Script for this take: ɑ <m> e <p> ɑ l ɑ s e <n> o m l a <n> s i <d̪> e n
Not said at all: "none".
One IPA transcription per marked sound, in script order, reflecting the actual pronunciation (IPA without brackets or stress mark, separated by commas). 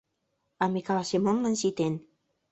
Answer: m, k, m, n, t̪